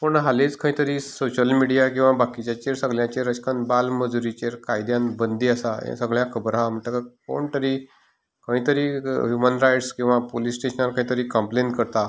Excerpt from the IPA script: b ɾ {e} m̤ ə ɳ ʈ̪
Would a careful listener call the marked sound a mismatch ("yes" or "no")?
yes